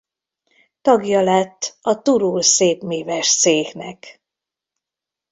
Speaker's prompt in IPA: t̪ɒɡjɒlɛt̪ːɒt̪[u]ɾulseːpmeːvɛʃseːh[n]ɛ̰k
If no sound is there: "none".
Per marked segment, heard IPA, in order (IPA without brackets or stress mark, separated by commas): u, n